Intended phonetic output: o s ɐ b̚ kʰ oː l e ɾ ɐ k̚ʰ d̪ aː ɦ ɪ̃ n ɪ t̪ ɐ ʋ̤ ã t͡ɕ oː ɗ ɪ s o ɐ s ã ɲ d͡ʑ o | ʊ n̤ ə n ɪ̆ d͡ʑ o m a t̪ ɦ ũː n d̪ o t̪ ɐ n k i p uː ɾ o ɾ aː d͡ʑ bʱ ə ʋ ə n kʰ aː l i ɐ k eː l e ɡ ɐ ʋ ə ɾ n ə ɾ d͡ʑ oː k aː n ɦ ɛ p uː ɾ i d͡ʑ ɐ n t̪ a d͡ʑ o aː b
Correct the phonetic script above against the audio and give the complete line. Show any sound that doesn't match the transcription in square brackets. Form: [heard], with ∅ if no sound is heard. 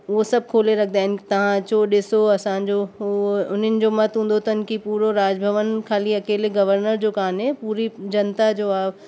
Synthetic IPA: o s ɐ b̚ kʰ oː l e ɾ ɐ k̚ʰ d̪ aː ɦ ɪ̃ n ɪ t̪ ɐ ʋ̤ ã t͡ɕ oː ɗ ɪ s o ɐ s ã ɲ d͡ʑ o | ʊ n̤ ə n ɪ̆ d͡ʑ o m [ɐ] t̪ ɦ ũː n d̪ o t̪ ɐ n k i p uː ɾ o ɾ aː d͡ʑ bʱ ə ʋ ə n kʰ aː l i ɐ k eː l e ɡ ɐ ʋ ə ɾ n ə ɾ d͡ʑ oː k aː n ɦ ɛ p uː ɾ i d͡ʑ ɐ n t̪ a d͡ʑ o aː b